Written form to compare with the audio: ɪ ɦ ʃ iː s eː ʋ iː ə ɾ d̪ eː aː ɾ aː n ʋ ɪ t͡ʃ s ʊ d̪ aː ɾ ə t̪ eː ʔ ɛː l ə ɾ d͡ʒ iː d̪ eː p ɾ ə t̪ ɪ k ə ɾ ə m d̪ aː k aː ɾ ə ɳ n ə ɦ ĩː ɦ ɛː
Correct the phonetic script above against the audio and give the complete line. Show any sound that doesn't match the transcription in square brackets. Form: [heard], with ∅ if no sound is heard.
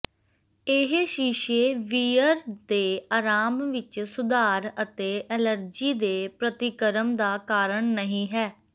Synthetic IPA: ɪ ɦ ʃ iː [ʃ] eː ʋ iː ə ɾ d̪ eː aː ɾ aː [m] ʋ ɪ t͡ʃ s ʊ d̪ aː ɾ ə t̪ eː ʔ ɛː l ə ɾ d͡ʒ iː d̪ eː p ɾ ə t̪ ɪ k ə ɾ ə m d̪ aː k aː ɾ ə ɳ n ə ɦ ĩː ɦ ɛː